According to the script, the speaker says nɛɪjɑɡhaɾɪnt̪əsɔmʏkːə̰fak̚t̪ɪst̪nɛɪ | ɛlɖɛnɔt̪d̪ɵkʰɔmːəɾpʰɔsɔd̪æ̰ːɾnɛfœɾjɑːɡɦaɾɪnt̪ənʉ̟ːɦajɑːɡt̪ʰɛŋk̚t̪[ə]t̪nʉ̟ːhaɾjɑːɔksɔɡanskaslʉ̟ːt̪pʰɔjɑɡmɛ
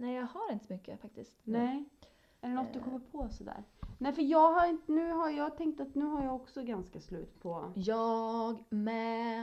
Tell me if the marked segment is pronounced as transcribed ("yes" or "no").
no